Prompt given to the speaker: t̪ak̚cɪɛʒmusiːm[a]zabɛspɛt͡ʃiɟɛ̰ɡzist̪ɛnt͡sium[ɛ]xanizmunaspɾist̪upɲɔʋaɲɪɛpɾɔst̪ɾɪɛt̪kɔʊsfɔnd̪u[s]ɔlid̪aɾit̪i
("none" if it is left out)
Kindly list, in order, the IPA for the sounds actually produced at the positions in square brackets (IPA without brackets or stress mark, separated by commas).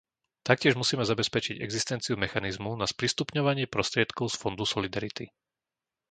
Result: ɛ, ɛ, s